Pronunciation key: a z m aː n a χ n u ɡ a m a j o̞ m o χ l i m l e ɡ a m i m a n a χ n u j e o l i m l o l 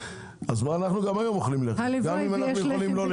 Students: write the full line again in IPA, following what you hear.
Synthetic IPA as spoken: a z m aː n a χ n u ɡ a m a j o̞ m o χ l i m l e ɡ a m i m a n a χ n u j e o l i m l o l